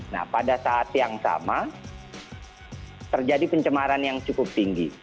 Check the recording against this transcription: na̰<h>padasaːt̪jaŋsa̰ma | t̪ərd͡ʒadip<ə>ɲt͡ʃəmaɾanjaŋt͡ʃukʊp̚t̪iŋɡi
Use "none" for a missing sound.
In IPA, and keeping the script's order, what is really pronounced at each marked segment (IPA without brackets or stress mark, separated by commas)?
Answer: h, ə